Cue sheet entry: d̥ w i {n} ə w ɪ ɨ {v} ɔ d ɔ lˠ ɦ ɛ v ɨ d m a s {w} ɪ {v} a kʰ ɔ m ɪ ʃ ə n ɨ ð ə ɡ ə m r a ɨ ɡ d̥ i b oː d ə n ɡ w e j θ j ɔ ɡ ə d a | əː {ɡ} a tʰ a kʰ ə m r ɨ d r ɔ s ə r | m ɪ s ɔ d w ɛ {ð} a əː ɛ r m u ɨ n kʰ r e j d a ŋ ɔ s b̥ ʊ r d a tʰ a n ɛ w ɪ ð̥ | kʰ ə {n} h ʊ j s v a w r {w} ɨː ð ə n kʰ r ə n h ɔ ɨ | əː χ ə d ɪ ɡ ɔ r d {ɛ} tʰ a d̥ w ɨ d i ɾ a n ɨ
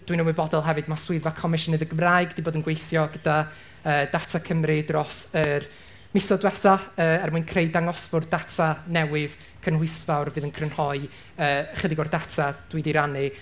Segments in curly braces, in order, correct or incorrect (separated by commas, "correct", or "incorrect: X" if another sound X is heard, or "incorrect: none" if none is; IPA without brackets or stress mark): correct, incorrect: b, correct, correct, incorrect: d, incorrect: θ, correct, incorrect: v, incorrect: a